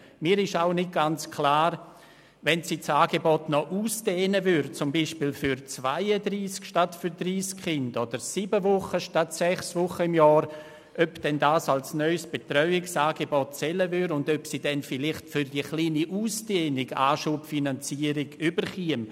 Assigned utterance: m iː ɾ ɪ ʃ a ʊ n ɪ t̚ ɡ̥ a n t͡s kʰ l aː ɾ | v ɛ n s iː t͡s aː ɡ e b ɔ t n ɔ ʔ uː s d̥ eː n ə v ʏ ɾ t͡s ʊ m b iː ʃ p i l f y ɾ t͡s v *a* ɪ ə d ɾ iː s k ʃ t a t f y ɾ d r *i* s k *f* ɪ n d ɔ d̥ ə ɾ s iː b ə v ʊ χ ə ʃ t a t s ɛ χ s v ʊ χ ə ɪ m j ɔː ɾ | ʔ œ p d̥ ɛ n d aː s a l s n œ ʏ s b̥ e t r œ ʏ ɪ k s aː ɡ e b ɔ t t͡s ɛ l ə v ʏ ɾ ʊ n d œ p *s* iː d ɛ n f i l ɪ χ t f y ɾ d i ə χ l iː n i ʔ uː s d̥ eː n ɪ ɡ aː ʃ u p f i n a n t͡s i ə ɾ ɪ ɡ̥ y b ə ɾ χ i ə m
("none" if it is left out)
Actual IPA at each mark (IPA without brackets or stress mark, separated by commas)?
a, iː, χ, s